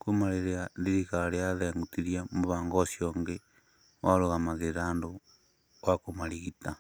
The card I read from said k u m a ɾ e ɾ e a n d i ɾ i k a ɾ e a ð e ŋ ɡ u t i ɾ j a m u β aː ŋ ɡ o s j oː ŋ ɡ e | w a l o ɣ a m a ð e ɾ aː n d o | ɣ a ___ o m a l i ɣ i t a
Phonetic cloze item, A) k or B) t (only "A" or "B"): A